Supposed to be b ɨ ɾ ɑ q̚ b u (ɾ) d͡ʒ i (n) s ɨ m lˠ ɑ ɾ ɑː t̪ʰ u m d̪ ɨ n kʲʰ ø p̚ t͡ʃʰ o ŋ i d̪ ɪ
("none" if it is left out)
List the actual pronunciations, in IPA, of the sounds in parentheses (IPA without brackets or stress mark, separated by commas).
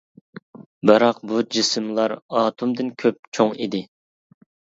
none, none